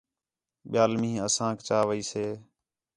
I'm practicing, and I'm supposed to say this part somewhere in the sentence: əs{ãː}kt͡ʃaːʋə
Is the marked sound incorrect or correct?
correct